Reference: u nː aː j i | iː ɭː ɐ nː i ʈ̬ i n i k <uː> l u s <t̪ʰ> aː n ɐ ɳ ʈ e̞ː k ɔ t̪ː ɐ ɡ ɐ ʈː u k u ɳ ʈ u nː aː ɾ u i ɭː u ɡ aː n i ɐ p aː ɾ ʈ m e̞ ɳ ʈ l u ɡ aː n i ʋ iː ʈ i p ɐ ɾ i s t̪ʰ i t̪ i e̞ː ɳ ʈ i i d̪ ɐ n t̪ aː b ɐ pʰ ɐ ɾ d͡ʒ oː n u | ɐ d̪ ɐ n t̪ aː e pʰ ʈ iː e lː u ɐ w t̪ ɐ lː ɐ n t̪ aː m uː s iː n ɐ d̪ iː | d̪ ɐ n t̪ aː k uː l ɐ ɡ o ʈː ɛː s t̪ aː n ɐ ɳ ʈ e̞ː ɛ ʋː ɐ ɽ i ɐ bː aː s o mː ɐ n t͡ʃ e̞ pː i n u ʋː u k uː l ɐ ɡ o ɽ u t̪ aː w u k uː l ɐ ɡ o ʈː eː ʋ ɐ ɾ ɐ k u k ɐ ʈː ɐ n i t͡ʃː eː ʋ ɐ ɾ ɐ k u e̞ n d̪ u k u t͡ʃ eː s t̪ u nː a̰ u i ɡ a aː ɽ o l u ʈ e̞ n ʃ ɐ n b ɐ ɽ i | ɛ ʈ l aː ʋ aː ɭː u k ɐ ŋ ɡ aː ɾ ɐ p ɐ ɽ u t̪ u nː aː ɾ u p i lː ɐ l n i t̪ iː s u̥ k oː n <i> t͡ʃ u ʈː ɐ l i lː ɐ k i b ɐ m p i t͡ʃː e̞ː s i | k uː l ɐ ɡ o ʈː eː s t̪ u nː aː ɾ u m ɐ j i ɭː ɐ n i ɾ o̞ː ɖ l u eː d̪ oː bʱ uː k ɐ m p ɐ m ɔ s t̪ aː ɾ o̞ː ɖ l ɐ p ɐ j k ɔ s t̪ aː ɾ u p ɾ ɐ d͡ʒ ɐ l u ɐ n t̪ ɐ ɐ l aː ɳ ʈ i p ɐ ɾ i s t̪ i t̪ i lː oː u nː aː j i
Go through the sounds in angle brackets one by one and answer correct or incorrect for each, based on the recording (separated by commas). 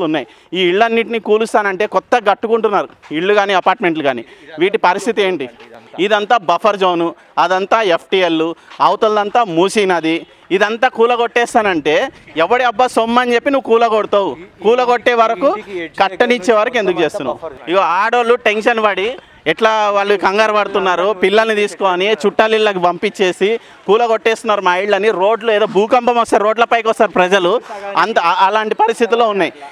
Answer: correct, incorrect, correct